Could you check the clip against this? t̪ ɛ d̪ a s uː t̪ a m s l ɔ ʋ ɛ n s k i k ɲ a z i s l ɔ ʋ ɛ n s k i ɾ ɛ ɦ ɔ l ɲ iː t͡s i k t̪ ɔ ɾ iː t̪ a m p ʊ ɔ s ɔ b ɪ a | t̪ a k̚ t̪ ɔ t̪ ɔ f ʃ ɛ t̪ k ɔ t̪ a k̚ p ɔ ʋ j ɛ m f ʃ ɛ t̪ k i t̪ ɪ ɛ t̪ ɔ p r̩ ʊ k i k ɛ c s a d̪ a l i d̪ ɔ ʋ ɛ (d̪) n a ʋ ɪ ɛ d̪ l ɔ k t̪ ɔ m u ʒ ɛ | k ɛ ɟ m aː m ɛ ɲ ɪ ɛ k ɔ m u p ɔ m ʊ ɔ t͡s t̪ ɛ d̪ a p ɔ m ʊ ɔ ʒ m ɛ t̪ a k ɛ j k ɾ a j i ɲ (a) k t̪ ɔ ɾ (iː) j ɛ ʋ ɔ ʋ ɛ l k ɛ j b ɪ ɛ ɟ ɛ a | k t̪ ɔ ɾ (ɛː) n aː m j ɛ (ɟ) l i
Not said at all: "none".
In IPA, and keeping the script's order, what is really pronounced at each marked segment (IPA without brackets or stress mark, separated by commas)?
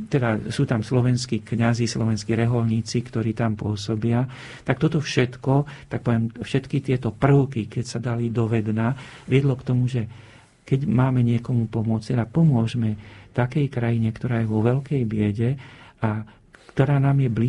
d̪, ɛ, aː, aː, b